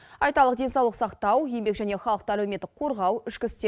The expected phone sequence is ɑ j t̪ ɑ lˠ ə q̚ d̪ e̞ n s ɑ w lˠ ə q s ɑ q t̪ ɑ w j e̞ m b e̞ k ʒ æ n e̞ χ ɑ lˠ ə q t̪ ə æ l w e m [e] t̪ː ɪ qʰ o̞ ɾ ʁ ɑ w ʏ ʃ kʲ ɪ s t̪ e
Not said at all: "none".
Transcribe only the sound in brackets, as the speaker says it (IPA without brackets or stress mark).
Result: e